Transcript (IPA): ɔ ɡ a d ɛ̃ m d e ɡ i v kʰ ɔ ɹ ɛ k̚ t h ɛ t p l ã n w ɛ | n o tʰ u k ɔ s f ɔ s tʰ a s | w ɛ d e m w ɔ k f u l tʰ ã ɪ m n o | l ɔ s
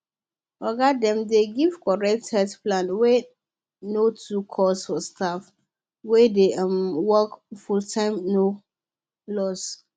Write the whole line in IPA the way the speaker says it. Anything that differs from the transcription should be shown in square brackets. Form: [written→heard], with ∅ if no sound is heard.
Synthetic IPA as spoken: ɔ ɡ a d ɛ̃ m d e ɡ i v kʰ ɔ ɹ ɛ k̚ t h ɛ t p l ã n w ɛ | n o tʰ u [k→kʰ] ɔ s f ɔ s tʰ a [s→f] | w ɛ d e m w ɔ k f u l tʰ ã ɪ m n o | l ɔ s